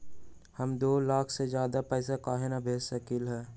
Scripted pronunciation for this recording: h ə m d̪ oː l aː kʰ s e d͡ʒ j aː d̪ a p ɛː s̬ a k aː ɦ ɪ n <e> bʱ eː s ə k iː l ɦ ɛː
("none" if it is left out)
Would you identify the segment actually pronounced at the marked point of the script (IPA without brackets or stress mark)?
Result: a